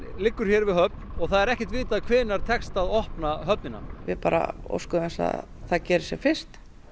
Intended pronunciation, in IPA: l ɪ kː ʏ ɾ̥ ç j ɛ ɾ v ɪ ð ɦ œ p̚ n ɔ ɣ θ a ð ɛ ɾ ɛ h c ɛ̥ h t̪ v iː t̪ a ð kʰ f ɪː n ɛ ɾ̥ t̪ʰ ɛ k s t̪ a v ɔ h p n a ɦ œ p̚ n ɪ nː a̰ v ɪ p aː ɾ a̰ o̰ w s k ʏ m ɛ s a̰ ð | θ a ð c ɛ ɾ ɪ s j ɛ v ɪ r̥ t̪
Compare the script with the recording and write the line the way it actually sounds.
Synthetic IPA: l ɪ kː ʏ ɾ̥ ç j ɛ ɾ v ɪ ð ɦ œ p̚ n ɔ ɣ θ a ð ɛ ɾ ɛ h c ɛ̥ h t̪ v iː t̪ a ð kʰ v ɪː n a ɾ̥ t̪ʰ ɛ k s t̪ a ð ɔ h p n a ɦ œ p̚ n ɪ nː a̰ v ɪ p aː ɾ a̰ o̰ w s k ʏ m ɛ s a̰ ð | θ a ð c ɛː ɾ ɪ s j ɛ f ɪ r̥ t̪